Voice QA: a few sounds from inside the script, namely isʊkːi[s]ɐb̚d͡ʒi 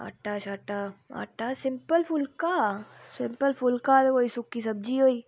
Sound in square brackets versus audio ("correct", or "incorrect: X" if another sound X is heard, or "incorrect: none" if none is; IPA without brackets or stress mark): correct